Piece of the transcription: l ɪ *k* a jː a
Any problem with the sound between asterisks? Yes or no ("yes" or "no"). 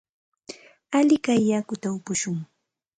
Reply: no